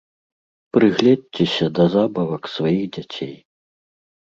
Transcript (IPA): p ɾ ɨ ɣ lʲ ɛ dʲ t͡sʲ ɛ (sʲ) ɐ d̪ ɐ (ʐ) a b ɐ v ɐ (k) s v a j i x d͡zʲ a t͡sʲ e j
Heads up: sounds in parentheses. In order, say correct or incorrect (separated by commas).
correct, incorrect, correct